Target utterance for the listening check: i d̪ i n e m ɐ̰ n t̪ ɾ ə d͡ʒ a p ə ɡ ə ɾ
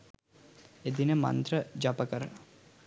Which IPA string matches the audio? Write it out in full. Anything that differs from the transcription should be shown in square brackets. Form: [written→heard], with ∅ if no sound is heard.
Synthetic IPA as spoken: [i→e] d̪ i n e m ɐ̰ n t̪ ɾ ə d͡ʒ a p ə [ɡ→k] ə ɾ

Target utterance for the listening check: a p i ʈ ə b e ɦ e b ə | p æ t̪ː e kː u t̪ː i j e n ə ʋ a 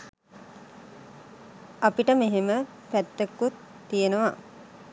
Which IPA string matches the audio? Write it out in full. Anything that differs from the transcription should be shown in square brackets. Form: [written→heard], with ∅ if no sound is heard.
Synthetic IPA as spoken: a p i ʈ ə [b→m] e ɦ e [b→m] ə | p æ t̪ː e kː u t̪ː i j e n ə ʋ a

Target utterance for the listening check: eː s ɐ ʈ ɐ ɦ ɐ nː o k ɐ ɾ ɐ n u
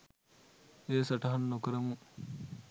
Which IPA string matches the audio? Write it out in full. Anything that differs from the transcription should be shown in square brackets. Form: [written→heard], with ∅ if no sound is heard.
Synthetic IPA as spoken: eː s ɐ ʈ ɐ ɦ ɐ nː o k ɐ ɾ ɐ [n→m] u

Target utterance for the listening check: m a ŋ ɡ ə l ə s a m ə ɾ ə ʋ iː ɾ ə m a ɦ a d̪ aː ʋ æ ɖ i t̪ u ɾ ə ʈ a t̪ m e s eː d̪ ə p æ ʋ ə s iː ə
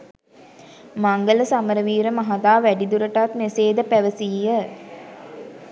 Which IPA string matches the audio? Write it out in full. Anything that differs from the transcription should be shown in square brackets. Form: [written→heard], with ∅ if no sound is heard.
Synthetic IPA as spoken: m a ŋ ɡ ə l ə s a m ə ɾ ə ʋ iː ɾ ə m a ɦ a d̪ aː ʋ æ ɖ i [t̪→d̪] u ɾ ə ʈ a t̪ m e s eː d̪ ə p æ ʋ ə s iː ə

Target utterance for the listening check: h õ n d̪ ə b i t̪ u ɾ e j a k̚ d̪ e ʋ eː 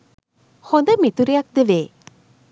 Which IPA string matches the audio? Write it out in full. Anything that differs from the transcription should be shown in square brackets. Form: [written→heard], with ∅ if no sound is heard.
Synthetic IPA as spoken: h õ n d̪ ə [b→m] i t̪ u ɾ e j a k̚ d̪ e ʋ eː

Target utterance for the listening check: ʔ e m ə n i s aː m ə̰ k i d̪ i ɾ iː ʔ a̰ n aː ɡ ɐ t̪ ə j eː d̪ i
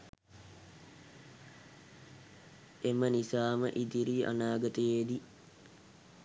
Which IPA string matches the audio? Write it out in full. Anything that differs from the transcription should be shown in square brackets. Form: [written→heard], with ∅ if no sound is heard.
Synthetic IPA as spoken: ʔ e m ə n i s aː m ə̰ [k→ʔ] i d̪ i ɾ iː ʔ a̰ n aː ɡ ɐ t̪ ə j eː d̪ i

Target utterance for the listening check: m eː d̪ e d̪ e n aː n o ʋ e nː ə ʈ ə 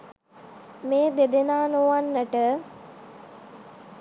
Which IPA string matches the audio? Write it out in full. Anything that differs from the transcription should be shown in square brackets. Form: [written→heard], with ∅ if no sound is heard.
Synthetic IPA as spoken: m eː d̪ e d̪ e n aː n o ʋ [e→a] nː ə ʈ ə

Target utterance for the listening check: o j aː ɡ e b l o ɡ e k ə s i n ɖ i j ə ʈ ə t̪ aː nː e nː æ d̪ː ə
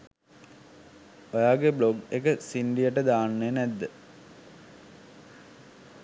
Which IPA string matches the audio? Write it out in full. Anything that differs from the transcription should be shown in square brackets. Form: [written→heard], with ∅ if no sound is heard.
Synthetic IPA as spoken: o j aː ɡ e b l o ɡ e k ə s i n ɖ i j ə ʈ ə [t̪→d̪] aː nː e [nː→n] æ d̪ː ə

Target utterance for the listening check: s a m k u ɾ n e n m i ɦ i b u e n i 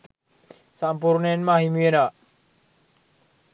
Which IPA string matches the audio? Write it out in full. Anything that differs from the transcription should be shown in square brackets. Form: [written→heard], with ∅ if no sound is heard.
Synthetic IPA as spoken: s a m [k→p] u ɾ n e n m [i→a] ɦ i [b→m] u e n [i→a]

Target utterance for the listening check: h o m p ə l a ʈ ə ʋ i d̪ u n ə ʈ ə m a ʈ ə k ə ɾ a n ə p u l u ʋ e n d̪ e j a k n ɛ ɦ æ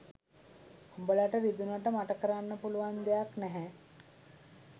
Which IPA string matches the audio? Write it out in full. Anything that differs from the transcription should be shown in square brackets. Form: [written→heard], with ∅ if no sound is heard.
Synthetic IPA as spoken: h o m [p→b] ə l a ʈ ə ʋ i d̪ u n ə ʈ ə m a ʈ ə k ə ɾ a [n→nː] ə p u l u ʋ [e→a] n d̪ e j a k n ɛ ɦ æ

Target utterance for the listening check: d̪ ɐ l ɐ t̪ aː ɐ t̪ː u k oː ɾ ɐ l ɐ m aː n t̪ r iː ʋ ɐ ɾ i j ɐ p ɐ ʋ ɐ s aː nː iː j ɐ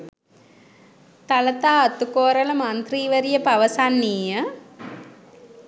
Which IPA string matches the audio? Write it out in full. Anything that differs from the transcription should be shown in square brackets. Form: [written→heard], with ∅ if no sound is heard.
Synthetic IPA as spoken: [d̪→t̪] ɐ l ɐ t̪ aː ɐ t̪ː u k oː ɾ ɐ l ɐ m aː n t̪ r iː ʋ ɐ ɾ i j ɐ p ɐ ʋ ɐ s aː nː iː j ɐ

